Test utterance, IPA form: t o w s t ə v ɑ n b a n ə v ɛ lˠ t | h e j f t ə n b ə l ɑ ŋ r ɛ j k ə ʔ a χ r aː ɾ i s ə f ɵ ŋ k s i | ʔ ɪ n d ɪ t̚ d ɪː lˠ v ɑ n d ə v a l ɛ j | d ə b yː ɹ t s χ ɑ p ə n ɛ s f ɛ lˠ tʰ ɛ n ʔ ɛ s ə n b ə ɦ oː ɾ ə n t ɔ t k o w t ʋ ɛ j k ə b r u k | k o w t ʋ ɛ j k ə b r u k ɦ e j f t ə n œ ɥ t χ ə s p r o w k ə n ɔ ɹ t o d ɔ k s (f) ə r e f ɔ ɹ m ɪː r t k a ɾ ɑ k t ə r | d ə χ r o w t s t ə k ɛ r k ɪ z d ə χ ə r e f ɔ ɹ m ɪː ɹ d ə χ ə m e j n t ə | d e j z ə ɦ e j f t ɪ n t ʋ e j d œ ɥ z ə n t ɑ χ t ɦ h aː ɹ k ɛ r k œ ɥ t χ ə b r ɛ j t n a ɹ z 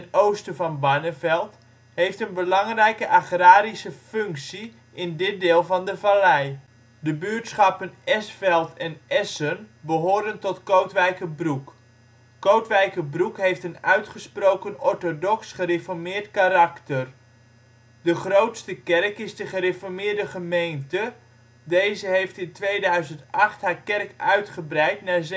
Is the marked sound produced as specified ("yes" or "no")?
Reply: no